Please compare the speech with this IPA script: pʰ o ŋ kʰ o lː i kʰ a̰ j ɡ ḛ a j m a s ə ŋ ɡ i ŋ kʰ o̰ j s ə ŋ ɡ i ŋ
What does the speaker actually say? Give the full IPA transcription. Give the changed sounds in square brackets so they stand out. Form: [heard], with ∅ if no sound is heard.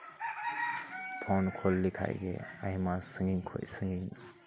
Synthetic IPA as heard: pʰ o [n] kʰ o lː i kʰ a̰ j ɡ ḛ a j m a s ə ŋ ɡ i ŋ kʰ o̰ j s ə ŋ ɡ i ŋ

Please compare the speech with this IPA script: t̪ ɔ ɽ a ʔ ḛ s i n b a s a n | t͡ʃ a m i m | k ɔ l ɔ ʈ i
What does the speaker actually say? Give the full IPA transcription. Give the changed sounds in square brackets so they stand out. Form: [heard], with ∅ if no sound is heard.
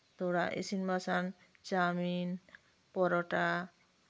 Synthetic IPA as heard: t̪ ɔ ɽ a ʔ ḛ s i n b a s a n | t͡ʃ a m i [n] | [p] ɔ [ɾ] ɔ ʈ [a]

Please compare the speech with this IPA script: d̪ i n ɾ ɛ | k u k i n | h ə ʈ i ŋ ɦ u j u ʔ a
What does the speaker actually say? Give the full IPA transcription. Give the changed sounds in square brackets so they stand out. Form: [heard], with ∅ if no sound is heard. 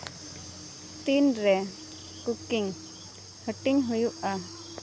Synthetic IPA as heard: [t̪] i n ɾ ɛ | k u k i [ŋ] | h ə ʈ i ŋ ɦ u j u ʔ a

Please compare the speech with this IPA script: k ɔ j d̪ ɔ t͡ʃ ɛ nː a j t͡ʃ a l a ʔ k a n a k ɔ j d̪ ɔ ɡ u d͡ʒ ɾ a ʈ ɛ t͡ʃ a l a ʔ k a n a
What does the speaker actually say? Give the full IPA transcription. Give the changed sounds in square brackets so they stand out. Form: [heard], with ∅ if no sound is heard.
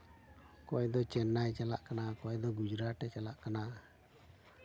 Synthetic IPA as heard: k ɔ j d̪ ɔ t͡ʃ ɛ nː a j t͡ʃ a l a ʔ k a n a k ɔ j d̪ ɔ ɡ u d͡ʒ ɾ a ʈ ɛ t͡ʃ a l a ʔ k a n a

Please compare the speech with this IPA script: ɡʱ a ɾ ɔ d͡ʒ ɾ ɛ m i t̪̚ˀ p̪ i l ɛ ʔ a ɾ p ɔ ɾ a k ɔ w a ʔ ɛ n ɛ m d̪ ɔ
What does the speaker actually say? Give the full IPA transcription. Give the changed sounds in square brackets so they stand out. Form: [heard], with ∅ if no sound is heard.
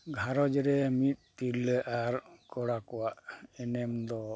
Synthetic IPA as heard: ɡʱ a ɾ ɔ d͡ʒ ɾ ɛ m i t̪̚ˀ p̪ i l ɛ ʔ a ɾ [k] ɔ [ɽ] a k ɔ w a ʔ ɛ n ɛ m d̪ ɔ

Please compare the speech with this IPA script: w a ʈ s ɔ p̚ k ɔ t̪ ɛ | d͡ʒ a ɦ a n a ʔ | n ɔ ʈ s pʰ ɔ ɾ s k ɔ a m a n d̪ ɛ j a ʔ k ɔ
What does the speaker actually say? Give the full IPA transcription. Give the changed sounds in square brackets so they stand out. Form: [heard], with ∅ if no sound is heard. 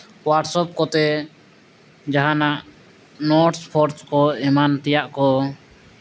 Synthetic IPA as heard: w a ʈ s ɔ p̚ k ɔ t̪ ɛ | d͡ʒ a ɦ a n a ʔ | n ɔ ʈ s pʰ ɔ ɾ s k ɔ [ɛ] m a n [t̪] ɛ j a ʔ k ɔ

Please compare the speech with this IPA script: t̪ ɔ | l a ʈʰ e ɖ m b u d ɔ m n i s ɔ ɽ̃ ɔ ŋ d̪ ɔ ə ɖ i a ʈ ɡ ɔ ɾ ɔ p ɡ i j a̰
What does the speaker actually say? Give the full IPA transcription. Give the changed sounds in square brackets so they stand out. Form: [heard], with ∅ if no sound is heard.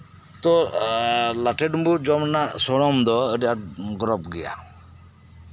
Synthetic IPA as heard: t̪ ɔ | l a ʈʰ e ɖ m b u [d͡ʒ] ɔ m n [a] s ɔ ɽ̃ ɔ [m] d̪ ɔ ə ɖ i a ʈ ɡ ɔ ɾ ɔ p ɡ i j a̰

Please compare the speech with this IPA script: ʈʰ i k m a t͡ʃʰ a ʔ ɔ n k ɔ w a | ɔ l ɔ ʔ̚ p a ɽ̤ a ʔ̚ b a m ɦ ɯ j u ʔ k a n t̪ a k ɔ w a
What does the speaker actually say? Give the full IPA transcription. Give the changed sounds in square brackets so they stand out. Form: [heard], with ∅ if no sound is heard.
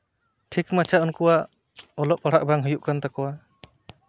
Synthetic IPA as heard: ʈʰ i k m a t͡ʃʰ a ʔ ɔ n k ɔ w a | ɔ l ɔ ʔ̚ p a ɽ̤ a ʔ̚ b a [ŋ] ɦ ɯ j u ʔ k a n t̪ a k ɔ w a

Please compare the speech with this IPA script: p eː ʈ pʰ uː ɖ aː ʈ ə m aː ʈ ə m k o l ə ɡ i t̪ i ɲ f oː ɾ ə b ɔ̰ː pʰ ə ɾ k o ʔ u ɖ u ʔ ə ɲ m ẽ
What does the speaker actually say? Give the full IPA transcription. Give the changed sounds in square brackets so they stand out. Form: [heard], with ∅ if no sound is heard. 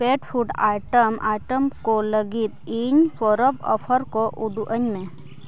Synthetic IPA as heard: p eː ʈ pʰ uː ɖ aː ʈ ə m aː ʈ ə m k o l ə ɡ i t̪ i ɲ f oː ɾ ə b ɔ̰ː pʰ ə ɾ k o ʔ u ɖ u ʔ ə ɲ m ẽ

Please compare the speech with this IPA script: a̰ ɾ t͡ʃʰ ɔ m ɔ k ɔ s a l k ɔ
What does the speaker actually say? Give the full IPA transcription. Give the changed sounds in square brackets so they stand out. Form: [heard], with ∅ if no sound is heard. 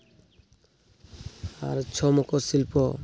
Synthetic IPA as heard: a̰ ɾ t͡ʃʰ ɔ m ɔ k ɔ s [i] l [p] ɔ

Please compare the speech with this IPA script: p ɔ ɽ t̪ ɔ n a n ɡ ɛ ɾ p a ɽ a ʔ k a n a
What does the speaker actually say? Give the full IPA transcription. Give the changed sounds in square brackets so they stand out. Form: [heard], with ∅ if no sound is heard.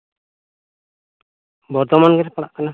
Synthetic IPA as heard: [b] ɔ [ɾ] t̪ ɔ [m] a n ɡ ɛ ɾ p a ɽ a ʔ k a n a

